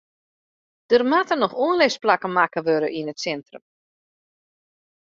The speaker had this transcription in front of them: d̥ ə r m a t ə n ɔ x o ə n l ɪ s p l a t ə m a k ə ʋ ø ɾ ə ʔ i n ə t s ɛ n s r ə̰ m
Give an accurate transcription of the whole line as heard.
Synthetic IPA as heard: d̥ ə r m a t ə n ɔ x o ə n l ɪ s p l a k ə m a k ə ʋ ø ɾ ə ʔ i n ə t s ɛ n t r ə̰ m